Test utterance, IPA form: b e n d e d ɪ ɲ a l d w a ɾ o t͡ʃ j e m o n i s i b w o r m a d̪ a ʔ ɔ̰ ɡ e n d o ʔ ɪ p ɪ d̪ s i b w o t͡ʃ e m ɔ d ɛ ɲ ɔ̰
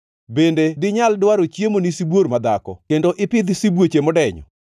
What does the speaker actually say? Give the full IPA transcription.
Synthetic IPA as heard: b e n d e d ɪ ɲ a l d w a ɾ o t͡ʃ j e m o n i s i b w o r m a d̪ a k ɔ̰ k e n d o ʔ ɪ p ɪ d̪ s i b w o t͡ʃ e m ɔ d ɛ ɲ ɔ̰